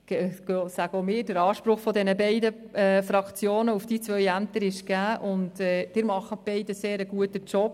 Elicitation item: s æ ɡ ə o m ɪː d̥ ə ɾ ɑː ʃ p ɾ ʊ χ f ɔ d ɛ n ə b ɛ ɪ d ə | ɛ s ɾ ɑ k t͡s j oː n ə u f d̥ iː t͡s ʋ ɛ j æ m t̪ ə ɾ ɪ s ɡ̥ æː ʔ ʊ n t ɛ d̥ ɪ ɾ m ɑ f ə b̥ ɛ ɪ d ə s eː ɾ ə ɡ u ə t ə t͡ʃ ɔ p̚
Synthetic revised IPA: s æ ɡ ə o m ɪː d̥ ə ɾ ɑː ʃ p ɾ ʊ χ f ɔ d ɛ n ə b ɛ ɪ d ə | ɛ f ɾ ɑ k t͡s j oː n ə u f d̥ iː t͡s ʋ œ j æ m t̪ ə ɾ ɪ ʃ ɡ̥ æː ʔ ʊ n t ɛ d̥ ɪ ɾ m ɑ χ ə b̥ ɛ ɪ d ə s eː ɾ ə ɡ u ə t ə t͡ʃ ɔ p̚